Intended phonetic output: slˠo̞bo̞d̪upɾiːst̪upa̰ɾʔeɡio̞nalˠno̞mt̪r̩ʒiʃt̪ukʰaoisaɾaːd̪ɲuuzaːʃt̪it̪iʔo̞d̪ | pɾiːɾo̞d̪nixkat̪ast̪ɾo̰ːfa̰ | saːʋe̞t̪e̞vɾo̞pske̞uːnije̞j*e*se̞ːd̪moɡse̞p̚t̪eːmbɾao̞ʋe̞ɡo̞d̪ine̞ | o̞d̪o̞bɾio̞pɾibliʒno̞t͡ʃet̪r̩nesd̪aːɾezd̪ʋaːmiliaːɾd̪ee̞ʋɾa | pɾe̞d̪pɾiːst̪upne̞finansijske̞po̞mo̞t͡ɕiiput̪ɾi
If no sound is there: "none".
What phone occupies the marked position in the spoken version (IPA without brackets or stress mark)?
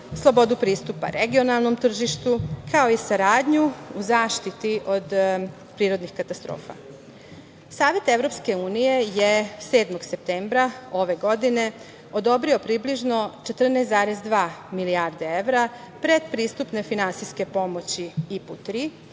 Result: e